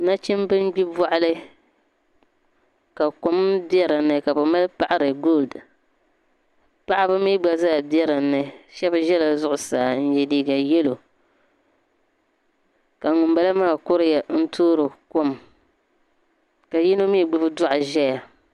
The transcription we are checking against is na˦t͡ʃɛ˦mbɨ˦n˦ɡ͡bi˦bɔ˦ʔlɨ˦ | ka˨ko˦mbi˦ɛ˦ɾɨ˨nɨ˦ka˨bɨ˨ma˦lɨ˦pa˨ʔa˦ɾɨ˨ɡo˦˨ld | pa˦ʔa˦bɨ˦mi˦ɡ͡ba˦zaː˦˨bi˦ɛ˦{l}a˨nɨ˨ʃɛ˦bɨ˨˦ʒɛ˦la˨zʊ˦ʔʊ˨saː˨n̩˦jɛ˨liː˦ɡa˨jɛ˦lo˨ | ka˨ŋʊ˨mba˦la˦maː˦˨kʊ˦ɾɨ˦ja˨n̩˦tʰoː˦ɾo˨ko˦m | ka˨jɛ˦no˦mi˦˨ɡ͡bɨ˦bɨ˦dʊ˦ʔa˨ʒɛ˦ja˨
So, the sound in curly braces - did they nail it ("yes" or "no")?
no